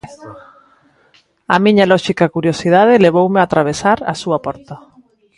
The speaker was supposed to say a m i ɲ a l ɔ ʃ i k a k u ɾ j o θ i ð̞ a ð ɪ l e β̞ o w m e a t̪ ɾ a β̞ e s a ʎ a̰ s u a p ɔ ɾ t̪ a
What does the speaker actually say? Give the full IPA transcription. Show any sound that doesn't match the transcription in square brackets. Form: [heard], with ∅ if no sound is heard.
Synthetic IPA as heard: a m i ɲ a l ɔ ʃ i k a k u ɾ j o [s] i ð̞ a ð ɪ l e β̞ o w m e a t̪ ɾ a β̞ e s a [ɾ] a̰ s u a p ɔ ɾ t̪ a